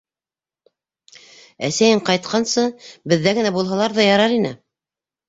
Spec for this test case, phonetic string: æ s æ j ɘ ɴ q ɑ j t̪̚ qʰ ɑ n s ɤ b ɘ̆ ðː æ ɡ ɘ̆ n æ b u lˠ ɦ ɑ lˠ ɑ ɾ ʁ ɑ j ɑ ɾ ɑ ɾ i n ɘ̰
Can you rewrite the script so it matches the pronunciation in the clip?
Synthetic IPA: æ s æ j ɘ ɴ q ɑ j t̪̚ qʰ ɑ n s ɤ b ɘ̆ ðː æ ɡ ɘ̆ n æ b u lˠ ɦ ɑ lˠ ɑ ɾ ð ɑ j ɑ ɾ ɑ ɾ i n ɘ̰

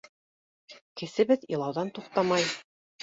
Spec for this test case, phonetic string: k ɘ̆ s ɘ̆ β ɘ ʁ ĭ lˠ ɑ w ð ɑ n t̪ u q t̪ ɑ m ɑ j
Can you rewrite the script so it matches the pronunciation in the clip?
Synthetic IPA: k ɘ̆ s ɘ̆ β ɘ ð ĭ lˠ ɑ w ð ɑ n t̪ u q t̪ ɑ m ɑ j

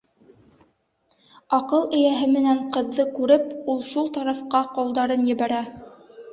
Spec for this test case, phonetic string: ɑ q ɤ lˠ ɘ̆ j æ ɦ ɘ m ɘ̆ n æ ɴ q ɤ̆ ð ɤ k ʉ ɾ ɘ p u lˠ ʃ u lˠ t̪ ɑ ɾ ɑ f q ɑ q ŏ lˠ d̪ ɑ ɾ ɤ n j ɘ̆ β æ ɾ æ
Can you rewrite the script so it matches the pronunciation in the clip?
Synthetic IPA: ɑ q ɤ lˠ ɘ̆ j æ ɦ ɘ m ɘ̆ n æ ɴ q ɤ̆ ðː ɤ k ʉ ɾ ɘ p u lˠ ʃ u lˠ t̪ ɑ ɾ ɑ f q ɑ q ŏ lˠ d̪ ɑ ɾ ɤ n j ɘ̆ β æ ɾ æ

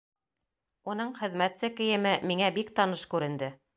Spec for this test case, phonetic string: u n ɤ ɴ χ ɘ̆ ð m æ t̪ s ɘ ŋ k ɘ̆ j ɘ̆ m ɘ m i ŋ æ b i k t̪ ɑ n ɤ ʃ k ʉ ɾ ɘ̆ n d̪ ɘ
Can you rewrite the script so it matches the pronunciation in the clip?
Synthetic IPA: u n ɤ ɴ χ ɘ̆ ð m æ t̪ s ɘ k ɘ̆ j ɘ̆ m ɘ m i ŋ æ b i k t̪ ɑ n ɤ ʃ k ʉ ɾ ɘ̆ n d̪ ɘ

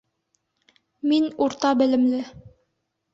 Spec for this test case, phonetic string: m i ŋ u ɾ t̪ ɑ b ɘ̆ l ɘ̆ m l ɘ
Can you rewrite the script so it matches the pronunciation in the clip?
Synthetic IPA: m i n u ɾ t̪ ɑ b ɘ̆ l ɘ̆ m l ɘ

